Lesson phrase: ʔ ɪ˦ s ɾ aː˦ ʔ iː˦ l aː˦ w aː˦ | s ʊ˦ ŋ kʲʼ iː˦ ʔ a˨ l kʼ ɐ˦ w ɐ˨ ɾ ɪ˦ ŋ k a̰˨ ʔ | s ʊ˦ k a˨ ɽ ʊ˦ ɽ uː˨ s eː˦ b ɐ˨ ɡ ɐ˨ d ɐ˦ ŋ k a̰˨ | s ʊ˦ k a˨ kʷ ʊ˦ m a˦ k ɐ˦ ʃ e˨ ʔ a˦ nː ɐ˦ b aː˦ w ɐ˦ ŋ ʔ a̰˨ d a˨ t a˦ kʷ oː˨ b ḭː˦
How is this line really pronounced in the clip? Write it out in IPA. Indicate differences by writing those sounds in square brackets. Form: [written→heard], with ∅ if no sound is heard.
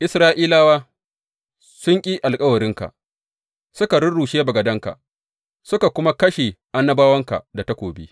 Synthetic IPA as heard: ʔ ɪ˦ s ɾ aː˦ ʔ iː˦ l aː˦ w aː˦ | s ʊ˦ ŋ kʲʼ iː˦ ʔ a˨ l kʼ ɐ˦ w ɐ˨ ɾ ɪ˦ ŋ k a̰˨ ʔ | s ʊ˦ k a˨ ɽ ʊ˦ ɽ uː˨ [s→ʃ] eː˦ b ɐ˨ ɡ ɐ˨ d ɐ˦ ŋ k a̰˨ | s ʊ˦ k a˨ kʷ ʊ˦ m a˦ k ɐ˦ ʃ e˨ ʔ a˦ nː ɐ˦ b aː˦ w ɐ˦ ŋ [ʔ→k] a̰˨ d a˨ t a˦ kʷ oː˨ b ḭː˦